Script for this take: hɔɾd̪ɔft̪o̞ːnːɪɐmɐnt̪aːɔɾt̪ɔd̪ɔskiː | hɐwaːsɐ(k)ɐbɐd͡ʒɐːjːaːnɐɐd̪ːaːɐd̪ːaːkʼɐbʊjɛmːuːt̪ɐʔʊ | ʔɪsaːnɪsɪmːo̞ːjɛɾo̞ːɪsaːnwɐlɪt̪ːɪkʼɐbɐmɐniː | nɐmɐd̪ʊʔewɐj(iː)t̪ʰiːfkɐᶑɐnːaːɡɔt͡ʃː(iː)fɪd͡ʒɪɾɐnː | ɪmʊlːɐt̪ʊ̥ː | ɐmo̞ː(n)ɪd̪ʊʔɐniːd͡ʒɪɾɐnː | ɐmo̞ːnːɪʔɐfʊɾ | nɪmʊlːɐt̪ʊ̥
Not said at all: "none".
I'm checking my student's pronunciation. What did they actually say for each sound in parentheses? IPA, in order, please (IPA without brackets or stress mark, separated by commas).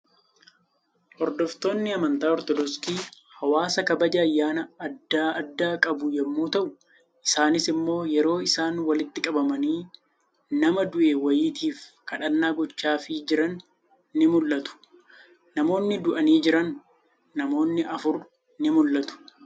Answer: k, iː, aː, nː